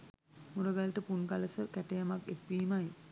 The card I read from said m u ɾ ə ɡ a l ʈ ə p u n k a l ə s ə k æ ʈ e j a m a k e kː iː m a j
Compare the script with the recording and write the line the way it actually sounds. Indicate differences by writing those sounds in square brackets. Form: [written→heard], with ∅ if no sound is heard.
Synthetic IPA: m u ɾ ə ɡ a l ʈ ə p u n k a l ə s ə k æ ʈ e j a m a k e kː iː m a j